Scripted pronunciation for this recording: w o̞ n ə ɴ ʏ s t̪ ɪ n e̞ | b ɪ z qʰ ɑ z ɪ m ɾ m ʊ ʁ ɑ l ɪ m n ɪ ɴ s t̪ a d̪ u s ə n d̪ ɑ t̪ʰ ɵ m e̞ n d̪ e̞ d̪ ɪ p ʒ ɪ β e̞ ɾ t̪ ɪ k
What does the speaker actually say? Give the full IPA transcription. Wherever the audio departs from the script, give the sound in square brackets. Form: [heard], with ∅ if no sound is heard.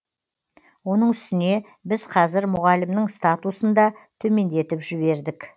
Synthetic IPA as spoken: w o̞ n ə ɴ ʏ s t̪ ɪ n e̞ | b ɪ z qʰ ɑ z ɪ [∅] ɾ m ʊ ʁ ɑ l ɪ m n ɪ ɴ s t̪ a [t̪] u s ə n d̪ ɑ t̪ʰ ɵ m e̞ n d̪ e̞ [t̪] ɪ p ʒ ɪ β e̞ ɾ [d̪] ɪ k

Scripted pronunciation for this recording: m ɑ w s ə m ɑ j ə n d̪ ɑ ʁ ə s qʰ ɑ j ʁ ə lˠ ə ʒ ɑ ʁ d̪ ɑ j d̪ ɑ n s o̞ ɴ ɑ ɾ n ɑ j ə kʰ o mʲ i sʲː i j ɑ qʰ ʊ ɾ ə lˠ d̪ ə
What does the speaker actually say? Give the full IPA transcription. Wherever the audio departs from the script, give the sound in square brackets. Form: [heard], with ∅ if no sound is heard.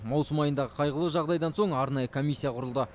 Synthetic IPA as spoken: m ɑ w s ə m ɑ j ə n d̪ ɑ ʁ ə [∅] qʰ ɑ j ʁ ə lˠ ə ʒ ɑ ʁ d̪ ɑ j d̪ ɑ n s o̞ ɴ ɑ ɾ n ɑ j ə kʰ o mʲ i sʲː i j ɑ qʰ ʊ ɾ ə lˠ d̪ ə

